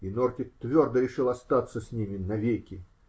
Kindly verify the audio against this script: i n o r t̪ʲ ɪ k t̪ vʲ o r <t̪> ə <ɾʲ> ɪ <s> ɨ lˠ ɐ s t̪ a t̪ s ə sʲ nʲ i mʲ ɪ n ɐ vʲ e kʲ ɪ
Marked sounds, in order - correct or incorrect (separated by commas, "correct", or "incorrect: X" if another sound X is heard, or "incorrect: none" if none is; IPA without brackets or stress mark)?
incorrect: d̪, correct, incorrect: ʂ